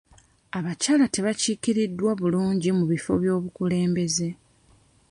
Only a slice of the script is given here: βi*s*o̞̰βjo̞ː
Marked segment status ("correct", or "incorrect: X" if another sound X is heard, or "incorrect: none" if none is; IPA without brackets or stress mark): incorrect: f